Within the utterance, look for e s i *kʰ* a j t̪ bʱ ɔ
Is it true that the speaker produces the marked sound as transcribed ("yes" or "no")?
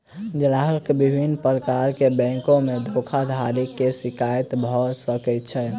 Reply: no